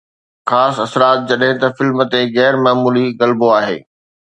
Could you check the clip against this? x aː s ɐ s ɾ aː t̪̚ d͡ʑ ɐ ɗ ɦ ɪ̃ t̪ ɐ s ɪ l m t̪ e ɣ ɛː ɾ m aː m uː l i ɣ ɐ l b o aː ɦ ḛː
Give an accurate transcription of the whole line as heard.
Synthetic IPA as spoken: x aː s ɐ s ɾ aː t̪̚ d͡ʑ ɐ ɗ ɦ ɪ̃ t̪ ɐ f ɪ l m t̪ e ɣ ɛː ɾ m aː m uː l i ɣ ɐ l b o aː ɦ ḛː